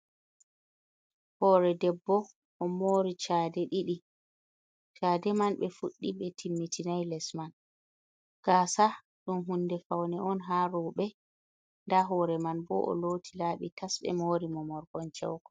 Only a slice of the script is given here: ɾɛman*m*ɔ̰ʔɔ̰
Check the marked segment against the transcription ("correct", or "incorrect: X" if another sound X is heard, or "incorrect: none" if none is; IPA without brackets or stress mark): incorrect: b